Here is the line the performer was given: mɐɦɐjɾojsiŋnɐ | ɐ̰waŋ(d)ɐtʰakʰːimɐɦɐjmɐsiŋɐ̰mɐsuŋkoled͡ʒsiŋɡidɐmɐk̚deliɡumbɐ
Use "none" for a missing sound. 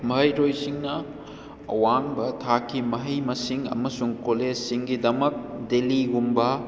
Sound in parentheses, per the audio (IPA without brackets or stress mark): b